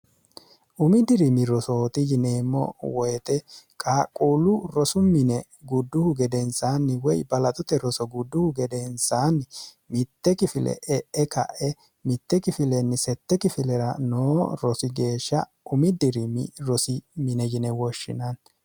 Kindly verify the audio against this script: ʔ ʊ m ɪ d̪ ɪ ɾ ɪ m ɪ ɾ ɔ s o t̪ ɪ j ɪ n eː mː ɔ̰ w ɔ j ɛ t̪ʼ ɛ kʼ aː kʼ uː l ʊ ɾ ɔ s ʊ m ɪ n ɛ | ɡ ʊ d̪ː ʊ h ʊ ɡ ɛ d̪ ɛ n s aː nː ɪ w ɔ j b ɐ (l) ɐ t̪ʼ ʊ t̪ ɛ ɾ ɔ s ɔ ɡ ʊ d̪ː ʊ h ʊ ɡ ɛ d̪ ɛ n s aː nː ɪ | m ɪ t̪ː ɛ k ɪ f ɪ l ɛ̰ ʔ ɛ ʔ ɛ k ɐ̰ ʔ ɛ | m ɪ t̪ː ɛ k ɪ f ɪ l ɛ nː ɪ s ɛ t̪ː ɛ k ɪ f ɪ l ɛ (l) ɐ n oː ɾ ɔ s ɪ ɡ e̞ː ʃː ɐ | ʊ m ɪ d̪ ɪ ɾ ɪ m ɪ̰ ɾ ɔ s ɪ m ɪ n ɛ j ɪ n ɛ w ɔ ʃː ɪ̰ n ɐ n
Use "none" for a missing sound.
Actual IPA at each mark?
l, ɾ

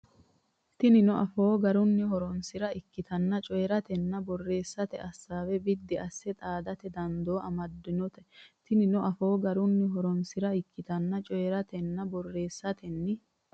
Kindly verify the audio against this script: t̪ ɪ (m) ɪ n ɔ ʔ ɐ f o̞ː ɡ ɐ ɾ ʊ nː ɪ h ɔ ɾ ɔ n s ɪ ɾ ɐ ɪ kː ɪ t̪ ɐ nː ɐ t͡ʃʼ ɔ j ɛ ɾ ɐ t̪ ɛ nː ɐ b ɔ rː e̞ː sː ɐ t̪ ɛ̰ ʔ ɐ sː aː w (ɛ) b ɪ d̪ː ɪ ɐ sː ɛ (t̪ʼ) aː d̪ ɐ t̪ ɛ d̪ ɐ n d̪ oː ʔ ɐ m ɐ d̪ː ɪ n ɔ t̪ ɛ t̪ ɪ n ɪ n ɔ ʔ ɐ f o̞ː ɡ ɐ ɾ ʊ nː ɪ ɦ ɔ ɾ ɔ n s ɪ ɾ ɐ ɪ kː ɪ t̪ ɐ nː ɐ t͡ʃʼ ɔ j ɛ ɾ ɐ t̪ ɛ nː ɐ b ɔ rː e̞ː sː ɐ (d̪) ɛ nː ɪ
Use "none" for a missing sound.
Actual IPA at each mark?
n, ɛ, t̪ʼ, t̪

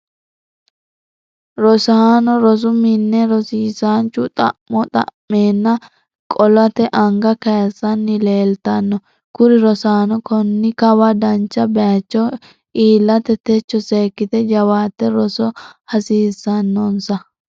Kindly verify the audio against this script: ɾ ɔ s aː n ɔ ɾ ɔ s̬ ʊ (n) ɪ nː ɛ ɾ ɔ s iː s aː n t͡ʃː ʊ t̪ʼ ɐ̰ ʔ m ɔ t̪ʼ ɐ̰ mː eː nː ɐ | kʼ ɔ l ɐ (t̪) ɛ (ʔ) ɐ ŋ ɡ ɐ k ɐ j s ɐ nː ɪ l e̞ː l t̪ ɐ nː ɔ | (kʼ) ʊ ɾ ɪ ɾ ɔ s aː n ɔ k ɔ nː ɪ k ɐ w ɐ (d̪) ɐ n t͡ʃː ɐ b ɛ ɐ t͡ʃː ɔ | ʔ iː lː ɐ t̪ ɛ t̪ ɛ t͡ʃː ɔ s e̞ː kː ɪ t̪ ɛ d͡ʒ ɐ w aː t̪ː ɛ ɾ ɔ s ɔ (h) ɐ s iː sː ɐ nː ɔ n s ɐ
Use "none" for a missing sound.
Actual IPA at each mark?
m, t̪, ʔ, k, d̪, h

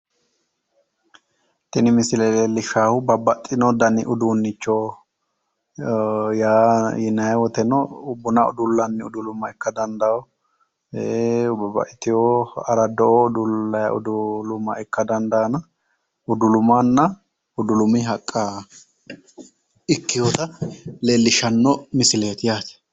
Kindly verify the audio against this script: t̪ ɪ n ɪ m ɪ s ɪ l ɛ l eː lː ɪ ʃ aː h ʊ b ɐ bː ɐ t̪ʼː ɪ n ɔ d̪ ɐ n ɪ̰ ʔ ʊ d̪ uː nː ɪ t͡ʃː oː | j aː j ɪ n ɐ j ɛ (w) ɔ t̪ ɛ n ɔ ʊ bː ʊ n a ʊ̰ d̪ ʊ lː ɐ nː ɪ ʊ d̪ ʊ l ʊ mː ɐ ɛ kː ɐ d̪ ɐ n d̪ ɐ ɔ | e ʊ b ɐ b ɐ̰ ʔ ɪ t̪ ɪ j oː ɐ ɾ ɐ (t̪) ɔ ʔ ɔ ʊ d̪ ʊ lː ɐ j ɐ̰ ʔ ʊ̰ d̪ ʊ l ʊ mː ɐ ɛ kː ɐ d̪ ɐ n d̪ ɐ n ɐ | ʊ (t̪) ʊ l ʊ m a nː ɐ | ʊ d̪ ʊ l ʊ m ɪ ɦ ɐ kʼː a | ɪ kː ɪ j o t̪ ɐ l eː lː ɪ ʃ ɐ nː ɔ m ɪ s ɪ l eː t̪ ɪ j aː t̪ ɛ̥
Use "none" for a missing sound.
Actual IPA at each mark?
w, d̪, d̪

